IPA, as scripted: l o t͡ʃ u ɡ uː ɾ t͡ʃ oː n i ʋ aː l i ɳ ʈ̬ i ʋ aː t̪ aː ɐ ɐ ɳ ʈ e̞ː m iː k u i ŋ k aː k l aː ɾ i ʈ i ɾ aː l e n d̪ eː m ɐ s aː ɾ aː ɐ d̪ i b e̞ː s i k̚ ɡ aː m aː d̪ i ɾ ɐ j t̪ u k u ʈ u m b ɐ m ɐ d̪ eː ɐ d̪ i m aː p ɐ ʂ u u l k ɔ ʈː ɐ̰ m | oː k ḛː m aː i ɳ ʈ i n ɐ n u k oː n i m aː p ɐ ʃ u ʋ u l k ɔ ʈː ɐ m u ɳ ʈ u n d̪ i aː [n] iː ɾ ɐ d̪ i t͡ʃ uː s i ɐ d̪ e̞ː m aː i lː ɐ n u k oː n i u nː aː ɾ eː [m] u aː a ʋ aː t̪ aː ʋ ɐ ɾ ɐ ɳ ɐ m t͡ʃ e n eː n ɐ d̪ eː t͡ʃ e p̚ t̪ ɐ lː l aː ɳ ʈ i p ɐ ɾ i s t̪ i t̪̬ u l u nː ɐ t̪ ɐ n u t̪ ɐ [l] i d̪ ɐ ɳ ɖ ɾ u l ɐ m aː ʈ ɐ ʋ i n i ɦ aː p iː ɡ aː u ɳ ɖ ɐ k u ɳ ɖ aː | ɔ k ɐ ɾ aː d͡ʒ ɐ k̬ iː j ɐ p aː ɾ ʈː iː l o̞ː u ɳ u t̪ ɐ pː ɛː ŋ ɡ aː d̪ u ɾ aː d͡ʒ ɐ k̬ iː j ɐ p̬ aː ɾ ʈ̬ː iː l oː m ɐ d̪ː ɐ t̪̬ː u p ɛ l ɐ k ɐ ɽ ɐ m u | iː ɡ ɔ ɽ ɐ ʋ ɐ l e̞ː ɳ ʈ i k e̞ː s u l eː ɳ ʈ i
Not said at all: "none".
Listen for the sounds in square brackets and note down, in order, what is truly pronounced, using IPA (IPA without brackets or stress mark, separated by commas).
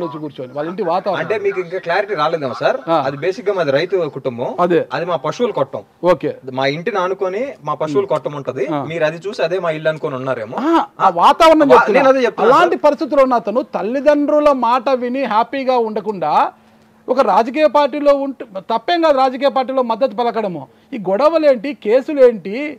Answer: m, m, lː